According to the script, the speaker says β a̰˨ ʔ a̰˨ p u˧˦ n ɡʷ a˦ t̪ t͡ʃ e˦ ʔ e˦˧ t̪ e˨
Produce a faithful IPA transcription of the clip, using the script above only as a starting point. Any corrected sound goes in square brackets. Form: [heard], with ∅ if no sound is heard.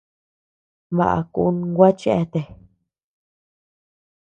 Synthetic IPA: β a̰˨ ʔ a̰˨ [k] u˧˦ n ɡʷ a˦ [∅] t͡ʃ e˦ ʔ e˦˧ t̪ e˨